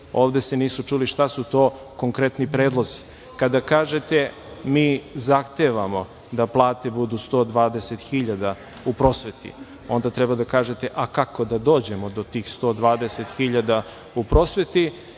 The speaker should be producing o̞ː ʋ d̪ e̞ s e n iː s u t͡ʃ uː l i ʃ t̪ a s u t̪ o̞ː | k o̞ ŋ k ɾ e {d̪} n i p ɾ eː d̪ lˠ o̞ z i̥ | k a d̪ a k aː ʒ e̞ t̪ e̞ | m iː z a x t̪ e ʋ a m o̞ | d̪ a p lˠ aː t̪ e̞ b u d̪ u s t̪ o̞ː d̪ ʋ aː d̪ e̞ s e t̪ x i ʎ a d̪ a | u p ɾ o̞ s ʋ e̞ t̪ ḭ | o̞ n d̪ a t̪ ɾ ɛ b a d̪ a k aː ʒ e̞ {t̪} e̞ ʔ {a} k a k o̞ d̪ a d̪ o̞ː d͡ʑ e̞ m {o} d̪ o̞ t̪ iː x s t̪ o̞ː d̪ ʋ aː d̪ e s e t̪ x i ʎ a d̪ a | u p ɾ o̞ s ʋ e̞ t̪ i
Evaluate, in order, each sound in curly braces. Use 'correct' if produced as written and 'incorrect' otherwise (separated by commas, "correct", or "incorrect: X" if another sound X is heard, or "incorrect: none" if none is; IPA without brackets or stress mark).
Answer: incorrect: t̪, correct, correct, correct